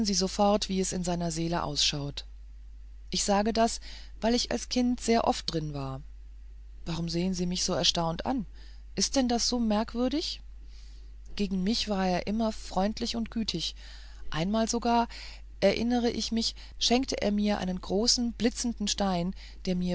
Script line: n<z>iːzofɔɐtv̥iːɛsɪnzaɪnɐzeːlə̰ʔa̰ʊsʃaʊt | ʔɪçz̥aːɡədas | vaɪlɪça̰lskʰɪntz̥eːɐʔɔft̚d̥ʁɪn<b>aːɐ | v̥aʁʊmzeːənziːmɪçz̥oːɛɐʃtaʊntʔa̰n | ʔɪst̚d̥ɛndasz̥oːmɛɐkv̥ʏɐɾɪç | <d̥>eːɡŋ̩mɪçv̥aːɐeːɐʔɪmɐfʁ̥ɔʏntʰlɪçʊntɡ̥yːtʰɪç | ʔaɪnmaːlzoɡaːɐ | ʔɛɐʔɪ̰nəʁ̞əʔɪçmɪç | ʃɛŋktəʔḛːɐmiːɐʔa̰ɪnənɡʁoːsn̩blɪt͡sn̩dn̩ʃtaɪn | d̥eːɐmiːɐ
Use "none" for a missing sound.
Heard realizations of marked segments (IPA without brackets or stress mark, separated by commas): z, v, ɡ̥